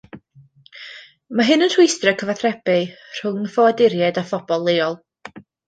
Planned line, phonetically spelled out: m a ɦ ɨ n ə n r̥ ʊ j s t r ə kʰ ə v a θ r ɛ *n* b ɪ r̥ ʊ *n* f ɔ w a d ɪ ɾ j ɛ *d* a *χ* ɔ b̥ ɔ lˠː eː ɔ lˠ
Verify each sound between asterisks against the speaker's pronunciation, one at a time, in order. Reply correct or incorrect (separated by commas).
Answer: incorrect, incorrect, correct, incorrect